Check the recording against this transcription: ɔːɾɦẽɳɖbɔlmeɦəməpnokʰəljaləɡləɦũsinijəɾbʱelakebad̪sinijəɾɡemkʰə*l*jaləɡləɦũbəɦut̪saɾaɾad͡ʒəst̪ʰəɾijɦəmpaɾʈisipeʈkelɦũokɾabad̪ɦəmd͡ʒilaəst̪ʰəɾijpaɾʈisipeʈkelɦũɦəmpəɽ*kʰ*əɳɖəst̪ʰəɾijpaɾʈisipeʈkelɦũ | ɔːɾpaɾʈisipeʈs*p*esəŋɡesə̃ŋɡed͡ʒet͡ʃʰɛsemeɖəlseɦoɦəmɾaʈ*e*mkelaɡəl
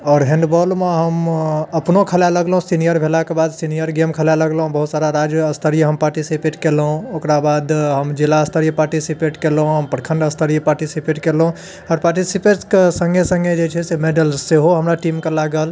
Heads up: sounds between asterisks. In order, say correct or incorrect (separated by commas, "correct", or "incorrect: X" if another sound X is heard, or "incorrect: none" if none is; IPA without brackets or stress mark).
correct, correct, incorrect: k, incorrect: i